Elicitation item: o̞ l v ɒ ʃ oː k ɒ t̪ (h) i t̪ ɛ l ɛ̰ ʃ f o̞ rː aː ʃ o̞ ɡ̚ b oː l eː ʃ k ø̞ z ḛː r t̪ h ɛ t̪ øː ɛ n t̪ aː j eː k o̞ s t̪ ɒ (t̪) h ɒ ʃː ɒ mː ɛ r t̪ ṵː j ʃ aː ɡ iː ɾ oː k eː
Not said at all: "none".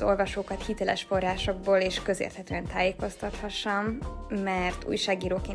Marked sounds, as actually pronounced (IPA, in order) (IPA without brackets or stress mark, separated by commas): h, t̪